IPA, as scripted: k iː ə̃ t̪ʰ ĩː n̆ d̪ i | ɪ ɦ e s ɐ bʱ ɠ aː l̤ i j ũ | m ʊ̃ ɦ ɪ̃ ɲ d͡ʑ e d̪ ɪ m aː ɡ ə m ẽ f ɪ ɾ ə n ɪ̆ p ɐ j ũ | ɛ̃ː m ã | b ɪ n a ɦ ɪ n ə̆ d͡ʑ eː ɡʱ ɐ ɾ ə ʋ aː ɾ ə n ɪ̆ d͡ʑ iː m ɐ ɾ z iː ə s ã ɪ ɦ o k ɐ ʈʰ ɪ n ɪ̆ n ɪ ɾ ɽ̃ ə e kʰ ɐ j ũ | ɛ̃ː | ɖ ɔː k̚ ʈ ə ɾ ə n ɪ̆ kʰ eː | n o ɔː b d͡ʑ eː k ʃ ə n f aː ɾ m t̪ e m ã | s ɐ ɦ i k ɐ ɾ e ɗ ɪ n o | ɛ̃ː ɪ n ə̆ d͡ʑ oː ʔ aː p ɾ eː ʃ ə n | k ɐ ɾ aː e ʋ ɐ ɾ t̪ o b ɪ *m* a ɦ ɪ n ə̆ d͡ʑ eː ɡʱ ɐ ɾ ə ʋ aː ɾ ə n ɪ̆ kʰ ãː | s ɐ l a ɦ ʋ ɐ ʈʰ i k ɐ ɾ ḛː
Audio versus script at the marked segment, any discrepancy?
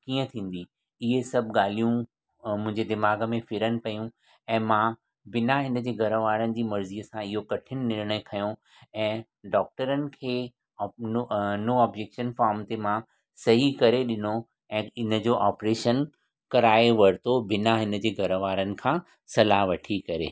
yes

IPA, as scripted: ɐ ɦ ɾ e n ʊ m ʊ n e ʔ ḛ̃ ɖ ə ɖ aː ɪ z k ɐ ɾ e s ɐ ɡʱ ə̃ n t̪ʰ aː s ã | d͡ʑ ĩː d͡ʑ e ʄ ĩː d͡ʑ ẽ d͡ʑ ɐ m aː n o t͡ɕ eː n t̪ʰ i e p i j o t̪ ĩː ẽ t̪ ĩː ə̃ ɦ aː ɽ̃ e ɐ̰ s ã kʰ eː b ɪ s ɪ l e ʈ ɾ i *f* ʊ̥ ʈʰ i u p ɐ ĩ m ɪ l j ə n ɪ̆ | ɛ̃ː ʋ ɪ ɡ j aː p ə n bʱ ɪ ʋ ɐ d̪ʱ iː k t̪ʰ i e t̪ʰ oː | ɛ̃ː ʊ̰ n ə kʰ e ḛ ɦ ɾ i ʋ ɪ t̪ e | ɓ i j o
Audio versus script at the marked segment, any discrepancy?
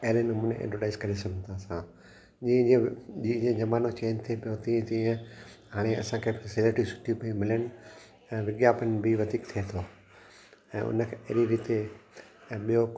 yes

